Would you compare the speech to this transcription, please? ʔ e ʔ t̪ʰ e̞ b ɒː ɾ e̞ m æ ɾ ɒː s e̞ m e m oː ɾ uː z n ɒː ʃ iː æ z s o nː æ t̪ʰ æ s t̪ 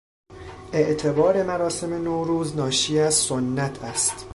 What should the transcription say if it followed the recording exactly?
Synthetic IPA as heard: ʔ e ʔ t̪ʰ e̞ b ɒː ɾ e̞ m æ ɾ ɒː s e̞ m e n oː ɾ uː z n ɒː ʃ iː æ z s o nː æ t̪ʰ æ s t̪